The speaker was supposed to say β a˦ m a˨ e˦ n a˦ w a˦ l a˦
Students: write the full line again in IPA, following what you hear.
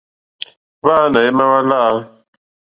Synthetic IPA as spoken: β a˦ n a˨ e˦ m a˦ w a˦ l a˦

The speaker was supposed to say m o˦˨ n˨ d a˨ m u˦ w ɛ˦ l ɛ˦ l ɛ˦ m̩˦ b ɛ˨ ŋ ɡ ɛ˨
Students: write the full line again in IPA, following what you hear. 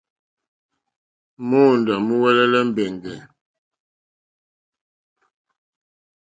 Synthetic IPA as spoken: m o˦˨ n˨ d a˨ m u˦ w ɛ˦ l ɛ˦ l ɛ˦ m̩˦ b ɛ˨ ŋ ɡ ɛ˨

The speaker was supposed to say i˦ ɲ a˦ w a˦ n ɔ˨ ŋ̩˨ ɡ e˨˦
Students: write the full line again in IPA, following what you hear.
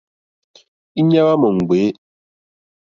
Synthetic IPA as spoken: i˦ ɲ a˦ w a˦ m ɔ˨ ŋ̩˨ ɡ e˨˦

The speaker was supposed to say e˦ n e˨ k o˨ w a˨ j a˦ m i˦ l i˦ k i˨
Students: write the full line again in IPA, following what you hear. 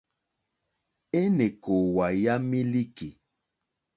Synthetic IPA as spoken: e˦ n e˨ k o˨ w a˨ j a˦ m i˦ l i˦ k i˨

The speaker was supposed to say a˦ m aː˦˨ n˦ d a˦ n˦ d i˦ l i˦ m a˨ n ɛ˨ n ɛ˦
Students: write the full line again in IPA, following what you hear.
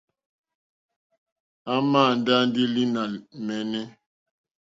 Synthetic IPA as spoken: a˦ m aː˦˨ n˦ d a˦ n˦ d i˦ l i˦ n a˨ m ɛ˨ n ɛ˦

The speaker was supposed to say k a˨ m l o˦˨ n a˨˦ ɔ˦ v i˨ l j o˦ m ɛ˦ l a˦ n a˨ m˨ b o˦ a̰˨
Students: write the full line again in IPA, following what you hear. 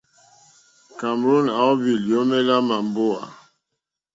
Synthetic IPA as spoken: k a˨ m ɾ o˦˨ n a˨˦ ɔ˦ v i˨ l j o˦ m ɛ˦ l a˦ m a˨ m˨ b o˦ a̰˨

